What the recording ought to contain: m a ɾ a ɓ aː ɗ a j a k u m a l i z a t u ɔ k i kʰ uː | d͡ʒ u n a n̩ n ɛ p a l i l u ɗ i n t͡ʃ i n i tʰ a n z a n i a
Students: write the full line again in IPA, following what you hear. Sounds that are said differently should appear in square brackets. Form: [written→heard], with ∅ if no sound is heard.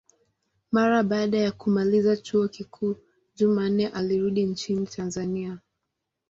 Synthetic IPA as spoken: m a ɾ a ɓ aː ɗ a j a k u m a l i z a [t→t͡ʃ] u ɔ k i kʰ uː | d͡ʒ u [n→m] a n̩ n ɛ [p→ʔ] a l i [l→ɾ] u ɗ i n t͡ʃ i n i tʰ a n z a n i a

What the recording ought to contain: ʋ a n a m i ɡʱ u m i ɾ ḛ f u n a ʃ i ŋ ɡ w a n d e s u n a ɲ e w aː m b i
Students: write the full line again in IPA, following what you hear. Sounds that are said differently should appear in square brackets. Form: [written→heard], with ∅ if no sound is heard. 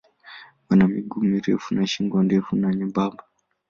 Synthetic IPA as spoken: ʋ a n a m i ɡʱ u m i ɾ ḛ f u n a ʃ i ŋ ɡ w a n d e [s→f] u n a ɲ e [w→b] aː m b [i→a]

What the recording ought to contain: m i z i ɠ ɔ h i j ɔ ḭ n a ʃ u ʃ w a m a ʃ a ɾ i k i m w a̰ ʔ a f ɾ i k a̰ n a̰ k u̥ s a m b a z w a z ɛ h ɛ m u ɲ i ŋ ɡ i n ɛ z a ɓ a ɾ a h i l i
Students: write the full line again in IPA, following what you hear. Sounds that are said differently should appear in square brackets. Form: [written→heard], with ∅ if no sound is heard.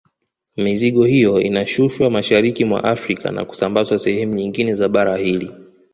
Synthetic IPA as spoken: m i z i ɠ ɔ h i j ɔ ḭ n a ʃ u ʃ w a m a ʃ a ɾ i k i m w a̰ ʔ a f ɾ i k a̰ n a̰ k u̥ s a m b a z w a [z→s] ɛ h ɛ m u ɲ i ŋ ɡ i n ɛ z a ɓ a ɾ a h i l i

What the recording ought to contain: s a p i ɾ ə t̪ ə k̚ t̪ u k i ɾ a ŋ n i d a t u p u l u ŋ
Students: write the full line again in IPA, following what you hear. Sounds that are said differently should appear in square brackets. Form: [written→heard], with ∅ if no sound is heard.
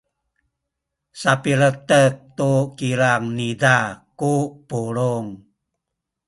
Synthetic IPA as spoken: s a p i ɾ ə t̪ ə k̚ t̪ u k i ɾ a ŋ n i d a [t→k] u p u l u ŋ

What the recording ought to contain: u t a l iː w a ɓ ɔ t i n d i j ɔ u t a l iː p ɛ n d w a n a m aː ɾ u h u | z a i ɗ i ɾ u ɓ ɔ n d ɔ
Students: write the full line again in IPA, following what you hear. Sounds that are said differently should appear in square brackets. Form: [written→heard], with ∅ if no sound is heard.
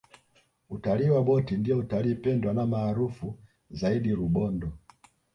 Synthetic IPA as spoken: u t a l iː w a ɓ ɔ t i n d i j ɔ u t a l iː p ɛ n d w a n a m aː ɾ u [h→f] u | z a i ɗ i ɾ u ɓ ɔ n d ɔ

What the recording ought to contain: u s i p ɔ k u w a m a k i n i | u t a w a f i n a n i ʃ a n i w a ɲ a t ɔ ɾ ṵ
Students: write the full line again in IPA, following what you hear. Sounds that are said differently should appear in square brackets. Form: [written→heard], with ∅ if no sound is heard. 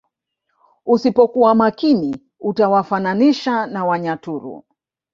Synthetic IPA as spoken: u s i p ɔ k u w a m a k i n i | u t a w a f [i→a] n a n i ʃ a n [i→a] w a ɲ a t [ɔ→u] ɾ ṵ

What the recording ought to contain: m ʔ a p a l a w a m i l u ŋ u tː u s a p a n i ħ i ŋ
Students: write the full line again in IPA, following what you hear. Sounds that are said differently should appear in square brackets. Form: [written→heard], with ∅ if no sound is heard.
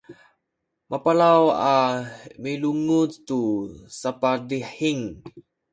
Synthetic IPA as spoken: m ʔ a p a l a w a m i l u ŋ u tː u s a p a [n→d] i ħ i ŋ

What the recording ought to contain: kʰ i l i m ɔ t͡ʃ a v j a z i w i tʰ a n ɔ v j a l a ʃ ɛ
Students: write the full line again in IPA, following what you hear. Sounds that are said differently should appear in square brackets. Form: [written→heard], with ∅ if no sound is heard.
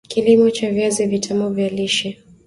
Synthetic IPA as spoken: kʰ i l i m ɔ t͡ʃ a v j a z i [w→v] i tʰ a [n→m] ɔ v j a l [a→i] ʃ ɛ

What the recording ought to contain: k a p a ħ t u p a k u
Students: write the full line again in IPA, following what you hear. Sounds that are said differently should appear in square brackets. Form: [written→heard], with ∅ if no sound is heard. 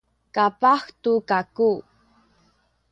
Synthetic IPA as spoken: k a p a [ħ→x] t u [p→k] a k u

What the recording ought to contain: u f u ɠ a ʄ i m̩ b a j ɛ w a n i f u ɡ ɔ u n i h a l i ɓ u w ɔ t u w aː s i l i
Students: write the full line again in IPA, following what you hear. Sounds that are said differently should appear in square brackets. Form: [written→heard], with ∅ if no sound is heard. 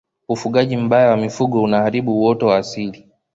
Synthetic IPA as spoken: u f u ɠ a ʄ i m̩ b a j [ɛ→a] w a [n→m] i f u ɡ ɔ u n [i→a] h a [l→ɾ] i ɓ u w ɔ t [u→ɔ] w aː s i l i

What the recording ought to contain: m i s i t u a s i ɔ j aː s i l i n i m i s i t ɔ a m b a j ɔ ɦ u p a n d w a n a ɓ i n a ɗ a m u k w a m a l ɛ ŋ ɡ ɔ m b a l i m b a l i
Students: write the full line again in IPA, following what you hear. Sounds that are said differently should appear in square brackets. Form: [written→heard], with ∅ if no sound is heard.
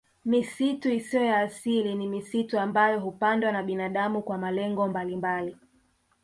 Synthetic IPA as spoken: m i s i t u [a→i] s i ɔ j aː s i l i n i m i s i t [ɔ→u] a m b a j ɔ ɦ u p a n d w a n a ɓ i n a ɗ a m u k w a m a l ɛ ŋ ɡ ɔ m b a l i m b a l i

